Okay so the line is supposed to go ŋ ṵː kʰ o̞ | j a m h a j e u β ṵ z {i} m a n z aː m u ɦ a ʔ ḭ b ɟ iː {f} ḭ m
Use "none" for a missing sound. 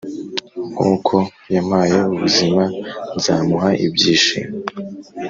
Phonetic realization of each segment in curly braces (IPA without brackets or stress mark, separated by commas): i, ʃ